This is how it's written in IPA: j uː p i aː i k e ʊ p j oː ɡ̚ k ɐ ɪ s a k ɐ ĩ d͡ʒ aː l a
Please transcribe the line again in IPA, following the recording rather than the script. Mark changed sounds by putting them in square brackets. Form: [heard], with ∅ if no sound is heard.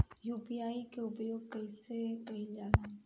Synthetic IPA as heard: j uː p i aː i k e ʊ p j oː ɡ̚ k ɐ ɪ s [e] k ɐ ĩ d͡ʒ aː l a